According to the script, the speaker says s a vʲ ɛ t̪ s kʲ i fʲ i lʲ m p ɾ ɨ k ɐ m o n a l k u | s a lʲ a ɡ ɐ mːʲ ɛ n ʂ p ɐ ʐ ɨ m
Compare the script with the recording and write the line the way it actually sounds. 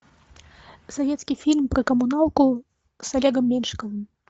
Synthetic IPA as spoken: s a vʲ ɛ t̪ s kʲ i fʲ i lʲ m p ɾ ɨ k ɐ m u n a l k u | s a lʲ ɛ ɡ ɐ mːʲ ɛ n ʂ k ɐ v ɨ m